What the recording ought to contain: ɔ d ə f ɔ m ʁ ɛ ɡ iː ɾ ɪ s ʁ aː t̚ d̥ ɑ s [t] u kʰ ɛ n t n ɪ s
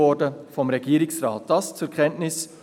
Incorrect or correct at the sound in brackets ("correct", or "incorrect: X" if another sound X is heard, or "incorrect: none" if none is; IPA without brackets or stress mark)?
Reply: incorrect: t͡s